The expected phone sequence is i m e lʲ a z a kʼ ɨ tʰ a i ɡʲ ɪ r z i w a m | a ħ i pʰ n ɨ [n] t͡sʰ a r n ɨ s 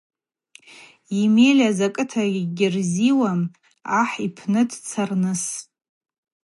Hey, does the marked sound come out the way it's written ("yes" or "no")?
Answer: no